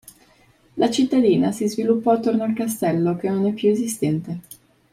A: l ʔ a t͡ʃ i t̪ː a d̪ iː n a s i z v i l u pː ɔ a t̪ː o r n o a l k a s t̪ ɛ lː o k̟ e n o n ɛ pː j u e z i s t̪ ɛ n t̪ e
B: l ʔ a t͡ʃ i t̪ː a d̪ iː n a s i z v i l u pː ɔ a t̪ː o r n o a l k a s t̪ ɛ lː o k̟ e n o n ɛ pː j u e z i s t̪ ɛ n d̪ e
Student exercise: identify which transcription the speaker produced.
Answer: A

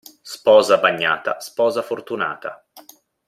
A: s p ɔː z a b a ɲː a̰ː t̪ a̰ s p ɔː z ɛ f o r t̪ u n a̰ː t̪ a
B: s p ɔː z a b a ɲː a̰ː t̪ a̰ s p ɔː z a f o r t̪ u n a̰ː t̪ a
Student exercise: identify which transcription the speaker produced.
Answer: B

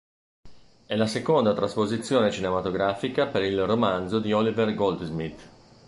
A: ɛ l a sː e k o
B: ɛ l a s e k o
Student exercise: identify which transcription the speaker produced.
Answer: B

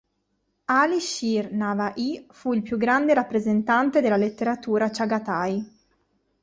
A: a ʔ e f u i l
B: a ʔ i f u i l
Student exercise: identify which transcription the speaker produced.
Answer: B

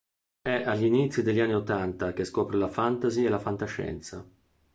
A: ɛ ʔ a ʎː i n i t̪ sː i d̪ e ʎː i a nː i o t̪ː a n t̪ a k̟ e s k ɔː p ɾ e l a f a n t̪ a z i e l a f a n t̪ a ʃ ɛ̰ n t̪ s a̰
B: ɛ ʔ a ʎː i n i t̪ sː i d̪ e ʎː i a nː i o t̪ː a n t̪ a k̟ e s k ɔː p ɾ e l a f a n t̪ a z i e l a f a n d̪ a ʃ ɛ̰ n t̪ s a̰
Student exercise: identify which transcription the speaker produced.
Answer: A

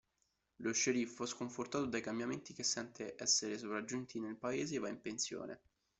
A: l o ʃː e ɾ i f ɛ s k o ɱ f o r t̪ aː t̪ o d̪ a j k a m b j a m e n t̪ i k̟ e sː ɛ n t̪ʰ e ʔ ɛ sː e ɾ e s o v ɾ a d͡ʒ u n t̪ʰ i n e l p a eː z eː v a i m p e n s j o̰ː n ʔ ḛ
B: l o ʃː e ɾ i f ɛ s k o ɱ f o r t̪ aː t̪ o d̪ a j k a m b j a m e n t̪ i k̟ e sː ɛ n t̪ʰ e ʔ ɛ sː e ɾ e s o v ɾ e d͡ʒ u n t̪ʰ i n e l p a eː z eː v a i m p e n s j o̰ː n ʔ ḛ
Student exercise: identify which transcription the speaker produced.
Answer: A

